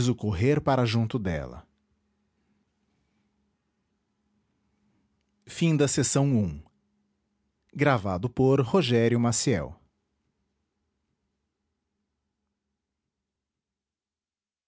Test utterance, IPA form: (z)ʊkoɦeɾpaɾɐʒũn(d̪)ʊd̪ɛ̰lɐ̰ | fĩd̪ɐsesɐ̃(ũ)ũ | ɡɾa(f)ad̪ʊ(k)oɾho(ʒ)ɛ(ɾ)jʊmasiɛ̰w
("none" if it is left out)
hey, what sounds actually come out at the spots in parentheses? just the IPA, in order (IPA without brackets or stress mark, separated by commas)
z, t̪, w̃, v, p, ʒ, ɾ